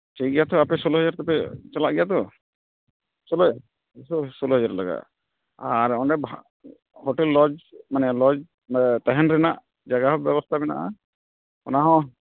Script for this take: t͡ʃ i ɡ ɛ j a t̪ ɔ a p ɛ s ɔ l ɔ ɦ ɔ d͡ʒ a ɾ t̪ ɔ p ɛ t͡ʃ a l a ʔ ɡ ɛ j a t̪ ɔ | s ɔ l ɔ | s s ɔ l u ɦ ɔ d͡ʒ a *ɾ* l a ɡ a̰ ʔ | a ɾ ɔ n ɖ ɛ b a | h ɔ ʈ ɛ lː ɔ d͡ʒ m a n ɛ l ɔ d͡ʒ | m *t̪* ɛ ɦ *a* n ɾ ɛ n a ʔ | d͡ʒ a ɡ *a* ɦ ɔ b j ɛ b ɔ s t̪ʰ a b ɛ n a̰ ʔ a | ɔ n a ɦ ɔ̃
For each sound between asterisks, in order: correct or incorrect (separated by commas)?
correct, correct, incorrect, correct